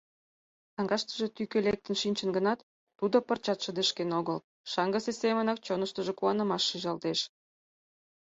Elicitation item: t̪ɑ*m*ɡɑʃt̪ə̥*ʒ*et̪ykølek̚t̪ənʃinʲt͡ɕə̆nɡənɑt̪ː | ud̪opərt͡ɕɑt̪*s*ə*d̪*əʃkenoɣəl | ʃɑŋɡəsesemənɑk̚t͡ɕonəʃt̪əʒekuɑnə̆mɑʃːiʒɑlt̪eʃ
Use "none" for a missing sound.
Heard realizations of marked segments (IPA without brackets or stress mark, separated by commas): ŋ, ʒ, ʃ, d̪